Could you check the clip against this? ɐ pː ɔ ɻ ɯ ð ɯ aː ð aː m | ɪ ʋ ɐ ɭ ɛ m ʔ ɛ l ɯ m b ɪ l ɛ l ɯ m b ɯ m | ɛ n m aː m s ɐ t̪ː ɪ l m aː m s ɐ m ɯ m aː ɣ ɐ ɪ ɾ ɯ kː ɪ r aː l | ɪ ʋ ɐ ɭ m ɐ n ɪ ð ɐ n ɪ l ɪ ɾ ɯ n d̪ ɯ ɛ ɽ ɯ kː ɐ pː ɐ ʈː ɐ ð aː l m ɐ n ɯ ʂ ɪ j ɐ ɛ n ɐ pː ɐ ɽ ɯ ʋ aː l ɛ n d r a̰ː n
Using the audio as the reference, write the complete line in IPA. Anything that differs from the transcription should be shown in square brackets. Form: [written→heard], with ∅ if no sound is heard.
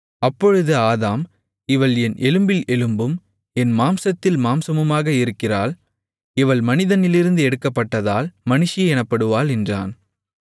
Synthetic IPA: ɐ pː ɔ ɻ ɯ ð ɯ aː ð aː m | ɪ ʋ ɐ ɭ ɛ [m→n] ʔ ɛ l ɯ m b ɪ l ɛ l ɯ m b ɯ m | ɛ n m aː m s ɐ t̪ː ɪ l m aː m s ɐ m ɯ m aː ɣ ɐ ɪ ɾ ɯ kː ɪ r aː l | ɪ ʋ ɐ ɭ m ɐ n ɪ ð ɐ n ɪ l ɪ ɾ ɯ n d̪ ɯ ɛ ɽ ɯ kː ɐ pː ɐ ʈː ɐ ð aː l m ɐ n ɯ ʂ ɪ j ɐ ɛ n ɐ pː ɐ ɽ ɯ ʋ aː l ɛ n d r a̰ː n